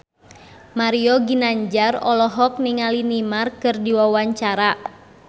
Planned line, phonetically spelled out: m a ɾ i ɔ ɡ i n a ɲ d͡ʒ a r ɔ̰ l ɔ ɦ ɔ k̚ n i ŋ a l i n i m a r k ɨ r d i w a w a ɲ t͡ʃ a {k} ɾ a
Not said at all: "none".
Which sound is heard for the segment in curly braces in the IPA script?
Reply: none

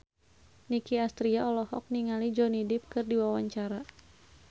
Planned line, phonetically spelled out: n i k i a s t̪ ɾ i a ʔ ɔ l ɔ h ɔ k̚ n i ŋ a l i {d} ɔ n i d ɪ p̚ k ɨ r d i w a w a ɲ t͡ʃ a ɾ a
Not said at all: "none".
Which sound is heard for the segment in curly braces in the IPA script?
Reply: d͡ʒ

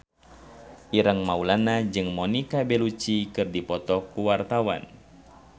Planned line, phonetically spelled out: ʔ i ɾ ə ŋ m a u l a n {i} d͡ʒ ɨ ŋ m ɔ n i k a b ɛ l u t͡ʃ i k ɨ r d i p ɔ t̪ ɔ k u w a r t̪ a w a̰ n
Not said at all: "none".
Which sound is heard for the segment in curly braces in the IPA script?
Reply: a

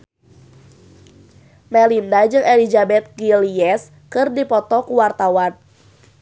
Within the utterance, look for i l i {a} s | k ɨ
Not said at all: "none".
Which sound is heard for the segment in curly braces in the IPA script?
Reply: ɛ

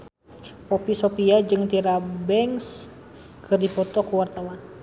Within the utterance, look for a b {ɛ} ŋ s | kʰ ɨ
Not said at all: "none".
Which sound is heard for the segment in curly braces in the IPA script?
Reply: ɛ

